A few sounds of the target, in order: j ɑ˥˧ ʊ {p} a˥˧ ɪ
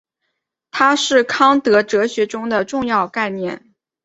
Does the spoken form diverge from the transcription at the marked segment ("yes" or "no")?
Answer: yes